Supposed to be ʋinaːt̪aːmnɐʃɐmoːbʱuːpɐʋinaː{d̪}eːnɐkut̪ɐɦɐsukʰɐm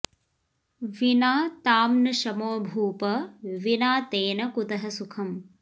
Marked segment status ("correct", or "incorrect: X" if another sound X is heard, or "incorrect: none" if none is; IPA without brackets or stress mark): incorrect: t̪